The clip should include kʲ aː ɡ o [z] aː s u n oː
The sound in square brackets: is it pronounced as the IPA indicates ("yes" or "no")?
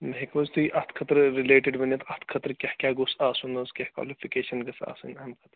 no